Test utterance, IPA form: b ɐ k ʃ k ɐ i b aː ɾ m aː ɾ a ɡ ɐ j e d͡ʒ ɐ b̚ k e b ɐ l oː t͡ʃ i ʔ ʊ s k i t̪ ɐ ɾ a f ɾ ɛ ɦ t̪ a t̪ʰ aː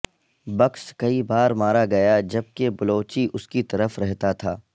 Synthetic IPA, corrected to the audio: b ɐ k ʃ k ɐ i b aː ɾ m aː ɾ a ɡ ɐ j a d͡ʒ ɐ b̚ k e b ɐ l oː t͡ʃ i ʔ ʊ s k i t̪ ɐ ɾ ə f ɾ ɛ ɦ t̪ a t̪ʰ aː